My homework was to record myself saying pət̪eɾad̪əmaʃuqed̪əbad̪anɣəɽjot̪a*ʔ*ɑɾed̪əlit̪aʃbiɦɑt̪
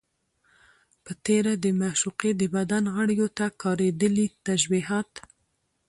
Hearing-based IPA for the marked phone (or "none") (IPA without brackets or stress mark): k